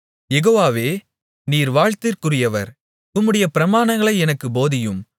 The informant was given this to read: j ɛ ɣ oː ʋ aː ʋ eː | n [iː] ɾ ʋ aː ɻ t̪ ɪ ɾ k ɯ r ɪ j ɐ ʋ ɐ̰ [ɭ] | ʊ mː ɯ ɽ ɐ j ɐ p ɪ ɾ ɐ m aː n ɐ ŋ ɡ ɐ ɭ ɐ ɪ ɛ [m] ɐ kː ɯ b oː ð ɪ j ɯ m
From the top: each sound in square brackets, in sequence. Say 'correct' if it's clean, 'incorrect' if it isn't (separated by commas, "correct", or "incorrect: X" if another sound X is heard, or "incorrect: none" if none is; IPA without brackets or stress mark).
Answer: correct, incorrect: ɾ, incorrect: n